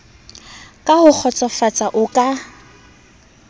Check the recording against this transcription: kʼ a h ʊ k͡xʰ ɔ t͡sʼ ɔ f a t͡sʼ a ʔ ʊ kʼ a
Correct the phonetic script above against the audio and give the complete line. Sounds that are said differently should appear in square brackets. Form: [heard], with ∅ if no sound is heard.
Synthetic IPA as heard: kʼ a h ʊ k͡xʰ ɔ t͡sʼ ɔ f a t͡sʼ a ʔ ʊ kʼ a